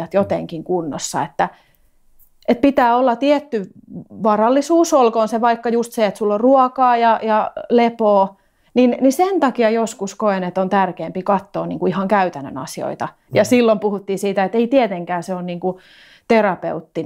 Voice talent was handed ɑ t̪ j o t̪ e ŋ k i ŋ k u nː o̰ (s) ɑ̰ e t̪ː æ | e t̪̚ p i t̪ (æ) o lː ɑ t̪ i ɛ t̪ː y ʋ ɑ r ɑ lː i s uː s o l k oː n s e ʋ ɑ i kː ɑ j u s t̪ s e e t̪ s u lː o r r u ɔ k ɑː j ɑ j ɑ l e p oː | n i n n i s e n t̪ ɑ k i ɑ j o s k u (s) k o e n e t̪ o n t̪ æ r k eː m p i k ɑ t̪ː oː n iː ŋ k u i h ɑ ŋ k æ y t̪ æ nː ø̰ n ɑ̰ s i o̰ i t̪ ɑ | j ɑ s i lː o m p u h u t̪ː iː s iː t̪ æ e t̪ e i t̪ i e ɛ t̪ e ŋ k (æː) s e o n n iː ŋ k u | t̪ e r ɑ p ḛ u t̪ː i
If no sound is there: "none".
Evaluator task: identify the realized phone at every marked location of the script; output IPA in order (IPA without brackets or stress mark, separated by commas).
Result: sː, æː, s, æː